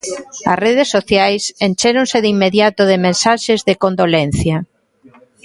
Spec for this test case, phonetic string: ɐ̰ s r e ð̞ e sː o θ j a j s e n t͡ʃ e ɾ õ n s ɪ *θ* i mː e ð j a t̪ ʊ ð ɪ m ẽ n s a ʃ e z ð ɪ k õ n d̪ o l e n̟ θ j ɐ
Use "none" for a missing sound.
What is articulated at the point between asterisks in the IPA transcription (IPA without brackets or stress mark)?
ð